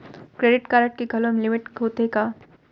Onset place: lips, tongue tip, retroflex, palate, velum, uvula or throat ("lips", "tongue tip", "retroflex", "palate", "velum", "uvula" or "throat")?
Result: velum